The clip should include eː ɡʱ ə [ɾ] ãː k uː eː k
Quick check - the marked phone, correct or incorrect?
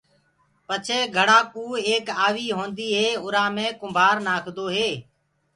incorrect: ɽ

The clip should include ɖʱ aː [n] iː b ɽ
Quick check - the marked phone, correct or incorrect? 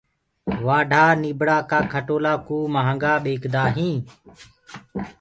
correct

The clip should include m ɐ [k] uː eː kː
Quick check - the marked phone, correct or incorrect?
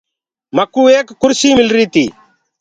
correct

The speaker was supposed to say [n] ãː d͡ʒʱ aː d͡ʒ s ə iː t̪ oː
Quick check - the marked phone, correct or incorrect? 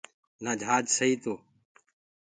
correct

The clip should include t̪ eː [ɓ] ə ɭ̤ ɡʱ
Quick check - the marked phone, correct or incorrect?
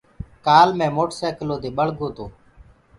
correct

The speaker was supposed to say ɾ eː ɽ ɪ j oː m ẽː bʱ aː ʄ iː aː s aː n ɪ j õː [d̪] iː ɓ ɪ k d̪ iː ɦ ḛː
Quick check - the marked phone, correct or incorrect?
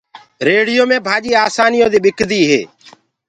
correct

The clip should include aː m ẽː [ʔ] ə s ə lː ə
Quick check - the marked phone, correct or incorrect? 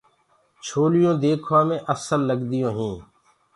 correct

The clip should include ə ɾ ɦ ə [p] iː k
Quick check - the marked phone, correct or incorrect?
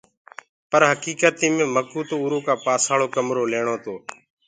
incorrect: k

